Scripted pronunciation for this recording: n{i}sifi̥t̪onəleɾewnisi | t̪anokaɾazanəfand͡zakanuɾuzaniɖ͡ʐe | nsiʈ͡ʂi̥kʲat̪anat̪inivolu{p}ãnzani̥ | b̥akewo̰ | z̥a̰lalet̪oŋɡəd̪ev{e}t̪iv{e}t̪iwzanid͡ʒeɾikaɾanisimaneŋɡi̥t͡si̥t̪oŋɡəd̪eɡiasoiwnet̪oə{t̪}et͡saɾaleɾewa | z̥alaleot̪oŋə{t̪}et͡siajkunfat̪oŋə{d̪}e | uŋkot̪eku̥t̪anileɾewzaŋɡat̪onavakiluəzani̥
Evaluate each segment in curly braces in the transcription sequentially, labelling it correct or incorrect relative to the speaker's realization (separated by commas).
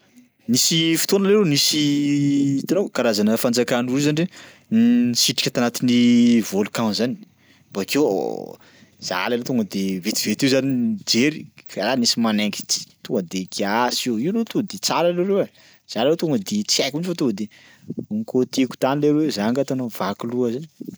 correct, incorrect, correct, correct, incorrect, incorrect, correct